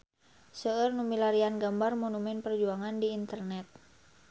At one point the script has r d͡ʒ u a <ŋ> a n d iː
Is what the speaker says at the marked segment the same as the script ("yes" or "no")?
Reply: yes